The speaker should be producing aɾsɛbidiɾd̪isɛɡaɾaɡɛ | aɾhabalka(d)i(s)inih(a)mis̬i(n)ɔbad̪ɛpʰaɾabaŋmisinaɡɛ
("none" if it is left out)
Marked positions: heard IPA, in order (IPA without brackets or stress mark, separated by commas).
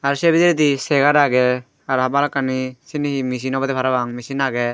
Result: n, s, i, n